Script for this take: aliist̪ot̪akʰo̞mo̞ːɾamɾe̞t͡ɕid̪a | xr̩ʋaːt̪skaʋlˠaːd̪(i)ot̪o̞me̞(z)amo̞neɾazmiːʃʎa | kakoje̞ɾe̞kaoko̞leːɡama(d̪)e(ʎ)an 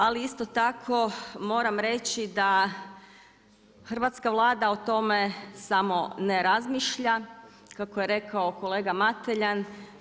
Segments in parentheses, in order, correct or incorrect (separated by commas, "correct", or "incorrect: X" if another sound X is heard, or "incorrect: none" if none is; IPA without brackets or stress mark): incorrect: a, incorrect: s, incorrect: t̪, correct